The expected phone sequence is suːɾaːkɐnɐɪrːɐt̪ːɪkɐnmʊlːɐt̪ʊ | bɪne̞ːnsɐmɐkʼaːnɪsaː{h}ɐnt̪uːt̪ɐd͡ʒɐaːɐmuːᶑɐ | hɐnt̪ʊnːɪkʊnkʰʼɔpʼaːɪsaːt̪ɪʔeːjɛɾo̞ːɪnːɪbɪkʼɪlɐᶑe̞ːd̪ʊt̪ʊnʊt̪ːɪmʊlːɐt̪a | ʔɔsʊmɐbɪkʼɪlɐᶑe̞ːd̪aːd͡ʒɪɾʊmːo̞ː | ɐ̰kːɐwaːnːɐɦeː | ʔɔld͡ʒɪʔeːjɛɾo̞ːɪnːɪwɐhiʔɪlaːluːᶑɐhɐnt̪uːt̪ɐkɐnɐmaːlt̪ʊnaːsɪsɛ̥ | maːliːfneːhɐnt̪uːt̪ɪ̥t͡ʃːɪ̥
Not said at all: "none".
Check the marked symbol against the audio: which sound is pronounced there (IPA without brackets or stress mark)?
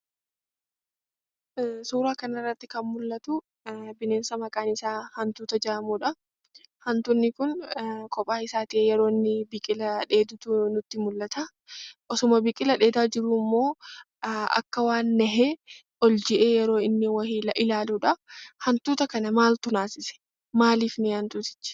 h